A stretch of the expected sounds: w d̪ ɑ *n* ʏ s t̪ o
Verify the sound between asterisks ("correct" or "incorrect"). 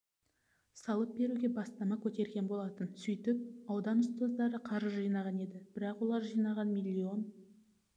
correct